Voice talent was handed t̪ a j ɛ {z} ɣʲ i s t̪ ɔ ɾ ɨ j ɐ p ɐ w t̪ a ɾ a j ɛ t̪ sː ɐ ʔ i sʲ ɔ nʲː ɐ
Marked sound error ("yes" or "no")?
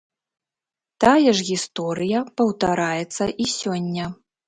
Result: yes